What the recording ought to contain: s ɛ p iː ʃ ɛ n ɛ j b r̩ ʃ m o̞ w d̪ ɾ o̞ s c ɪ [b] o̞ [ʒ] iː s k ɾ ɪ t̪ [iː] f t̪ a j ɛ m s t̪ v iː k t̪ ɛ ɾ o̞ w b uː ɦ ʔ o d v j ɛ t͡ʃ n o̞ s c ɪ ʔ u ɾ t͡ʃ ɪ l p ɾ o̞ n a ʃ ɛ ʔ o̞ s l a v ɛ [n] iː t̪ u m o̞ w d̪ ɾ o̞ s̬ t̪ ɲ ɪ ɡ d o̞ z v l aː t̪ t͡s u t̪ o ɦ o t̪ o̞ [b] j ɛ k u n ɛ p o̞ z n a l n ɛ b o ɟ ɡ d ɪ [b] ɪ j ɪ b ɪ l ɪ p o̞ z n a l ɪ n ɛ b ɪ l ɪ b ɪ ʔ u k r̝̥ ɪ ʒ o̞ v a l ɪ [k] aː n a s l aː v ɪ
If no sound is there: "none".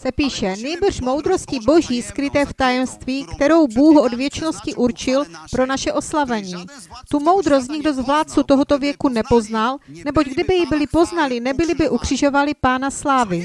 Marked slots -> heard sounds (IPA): b, ʒ, ɛː, ɲ, v, b, p

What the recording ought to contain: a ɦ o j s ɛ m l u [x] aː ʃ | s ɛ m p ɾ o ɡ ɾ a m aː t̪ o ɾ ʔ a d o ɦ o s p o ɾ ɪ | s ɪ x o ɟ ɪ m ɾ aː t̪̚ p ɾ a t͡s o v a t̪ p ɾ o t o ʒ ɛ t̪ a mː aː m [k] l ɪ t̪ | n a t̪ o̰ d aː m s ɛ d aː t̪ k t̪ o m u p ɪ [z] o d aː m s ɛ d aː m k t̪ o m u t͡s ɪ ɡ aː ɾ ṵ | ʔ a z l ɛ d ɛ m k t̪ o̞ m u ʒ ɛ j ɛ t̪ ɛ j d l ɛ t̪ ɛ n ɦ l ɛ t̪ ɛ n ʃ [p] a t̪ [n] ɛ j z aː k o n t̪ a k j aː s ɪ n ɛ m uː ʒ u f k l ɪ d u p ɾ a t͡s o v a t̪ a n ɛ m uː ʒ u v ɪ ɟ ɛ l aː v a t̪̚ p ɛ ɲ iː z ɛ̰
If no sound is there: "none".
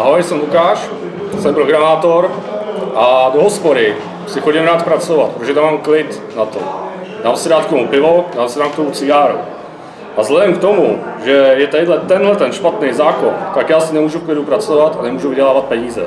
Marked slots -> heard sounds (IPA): k, k, v, p, n

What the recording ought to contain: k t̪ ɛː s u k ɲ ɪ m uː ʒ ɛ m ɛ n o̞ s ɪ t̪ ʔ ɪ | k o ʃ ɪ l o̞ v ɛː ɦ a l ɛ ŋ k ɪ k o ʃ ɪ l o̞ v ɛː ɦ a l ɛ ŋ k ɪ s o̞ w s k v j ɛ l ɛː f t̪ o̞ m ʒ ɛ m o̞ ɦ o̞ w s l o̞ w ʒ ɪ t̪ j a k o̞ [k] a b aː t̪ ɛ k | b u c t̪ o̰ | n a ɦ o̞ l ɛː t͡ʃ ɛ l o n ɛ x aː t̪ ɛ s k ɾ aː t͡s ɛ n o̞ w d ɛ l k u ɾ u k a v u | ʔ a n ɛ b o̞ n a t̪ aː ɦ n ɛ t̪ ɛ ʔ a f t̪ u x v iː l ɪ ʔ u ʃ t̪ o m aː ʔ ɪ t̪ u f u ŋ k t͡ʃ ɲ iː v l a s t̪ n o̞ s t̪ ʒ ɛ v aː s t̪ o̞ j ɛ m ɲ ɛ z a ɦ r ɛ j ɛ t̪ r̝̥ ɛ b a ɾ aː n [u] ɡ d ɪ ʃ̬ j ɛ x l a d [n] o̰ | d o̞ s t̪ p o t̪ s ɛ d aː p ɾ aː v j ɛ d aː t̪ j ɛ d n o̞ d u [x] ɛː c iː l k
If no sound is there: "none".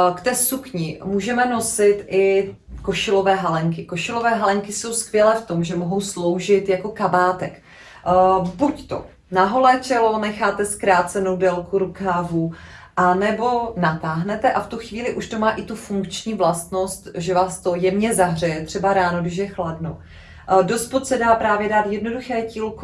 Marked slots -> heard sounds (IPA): k, o, n, x

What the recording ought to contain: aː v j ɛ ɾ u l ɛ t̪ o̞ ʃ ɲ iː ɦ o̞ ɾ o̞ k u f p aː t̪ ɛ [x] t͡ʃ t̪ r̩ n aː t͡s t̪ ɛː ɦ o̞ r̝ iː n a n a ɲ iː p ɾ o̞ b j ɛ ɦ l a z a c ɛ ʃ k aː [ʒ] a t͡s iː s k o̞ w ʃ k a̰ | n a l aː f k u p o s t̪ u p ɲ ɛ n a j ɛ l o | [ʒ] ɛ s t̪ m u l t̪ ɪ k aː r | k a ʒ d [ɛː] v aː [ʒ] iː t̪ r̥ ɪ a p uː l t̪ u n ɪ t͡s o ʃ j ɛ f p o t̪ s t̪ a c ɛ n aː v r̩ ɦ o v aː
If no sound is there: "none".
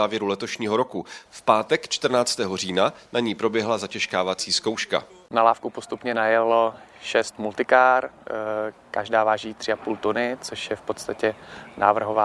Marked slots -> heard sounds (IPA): k, v, ʃ, aː, ʒ

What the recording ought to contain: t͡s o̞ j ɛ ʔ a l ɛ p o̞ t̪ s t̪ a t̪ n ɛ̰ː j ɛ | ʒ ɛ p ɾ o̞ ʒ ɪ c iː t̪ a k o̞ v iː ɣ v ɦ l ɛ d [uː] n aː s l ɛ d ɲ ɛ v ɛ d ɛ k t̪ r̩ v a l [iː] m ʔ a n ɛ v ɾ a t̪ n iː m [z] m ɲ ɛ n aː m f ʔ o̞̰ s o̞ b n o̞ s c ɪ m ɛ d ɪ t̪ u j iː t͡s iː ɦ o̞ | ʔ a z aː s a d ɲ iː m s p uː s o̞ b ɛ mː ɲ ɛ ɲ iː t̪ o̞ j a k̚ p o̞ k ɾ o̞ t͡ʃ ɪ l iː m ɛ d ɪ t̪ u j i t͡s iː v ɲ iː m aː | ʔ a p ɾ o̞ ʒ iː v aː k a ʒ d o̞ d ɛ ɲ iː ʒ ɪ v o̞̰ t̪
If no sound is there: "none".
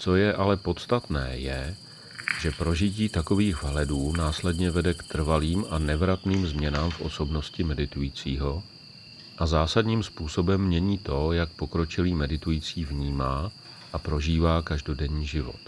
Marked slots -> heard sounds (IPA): uː, iː, z

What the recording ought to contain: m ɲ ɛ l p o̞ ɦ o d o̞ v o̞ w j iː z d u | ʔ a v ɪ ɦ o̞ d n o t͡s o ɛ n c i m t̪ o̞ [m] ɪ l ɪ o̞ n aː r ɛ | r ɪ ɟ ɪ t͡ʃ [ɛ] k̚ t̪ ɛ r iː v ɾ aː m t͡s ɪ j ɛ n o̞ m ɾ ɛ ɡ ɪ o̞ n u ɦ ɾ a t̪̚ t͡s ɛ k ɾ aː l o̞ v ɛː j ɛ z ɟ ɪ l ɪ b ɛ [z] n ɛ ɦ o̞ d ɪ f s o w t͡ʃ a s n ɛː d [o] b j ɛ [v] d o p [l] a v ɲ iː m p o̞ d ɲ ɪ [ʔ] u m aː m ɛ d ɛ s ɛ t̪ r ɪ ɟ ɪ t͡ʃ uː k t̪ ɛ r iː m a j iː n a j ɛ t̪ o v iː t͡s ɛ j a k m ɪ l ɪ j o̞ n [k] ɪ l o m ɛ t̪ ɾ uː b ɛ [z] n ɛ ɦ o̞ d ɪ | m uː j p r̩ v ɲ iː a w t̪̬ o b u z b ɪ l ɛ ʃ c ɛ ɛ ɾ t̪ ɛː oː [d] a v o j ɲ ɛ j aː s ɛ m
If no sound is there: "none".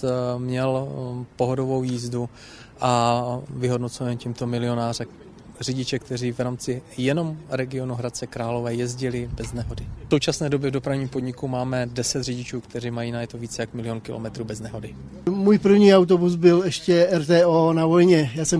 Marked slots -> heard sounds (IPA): m, ɛ, z, o, v, ɾ, k, k, z, n

